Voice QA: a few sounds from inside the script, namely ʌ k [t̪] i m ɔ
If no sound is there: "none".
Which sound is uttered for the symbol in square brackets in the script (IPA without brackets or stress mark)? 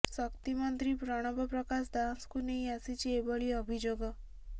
t̪